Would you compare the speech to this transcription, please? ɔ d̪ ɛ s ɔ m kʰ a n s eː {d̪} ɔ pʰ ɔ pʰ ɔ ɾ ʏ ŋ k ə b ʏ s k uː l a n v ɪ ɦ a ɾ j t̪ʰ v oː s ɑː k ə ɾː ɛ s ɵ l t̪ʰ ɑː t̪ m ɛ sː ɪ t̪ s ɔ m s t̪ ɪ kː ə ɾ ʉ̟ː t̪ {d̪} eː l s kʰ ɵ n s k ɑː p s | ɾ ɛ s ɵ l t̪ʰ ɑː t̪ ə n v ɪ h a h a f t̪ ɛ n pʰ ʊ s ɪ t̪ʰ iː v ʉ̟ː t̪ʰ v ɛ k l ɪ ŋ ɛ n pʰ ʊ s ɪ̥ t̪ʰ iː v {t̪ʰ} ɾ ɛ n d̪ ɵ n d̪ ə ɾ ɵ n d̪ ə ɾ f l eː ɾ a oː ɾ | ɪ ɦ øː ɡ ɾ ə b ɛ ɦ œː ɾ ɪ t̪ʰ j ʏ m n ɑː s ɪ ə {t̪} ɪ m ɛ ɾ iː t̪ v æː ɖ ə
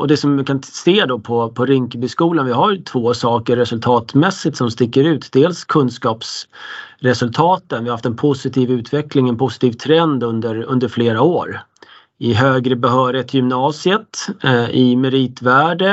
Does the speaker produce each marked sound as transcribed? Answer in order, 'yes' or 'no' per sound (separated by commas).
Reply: yes, yes, yes, yes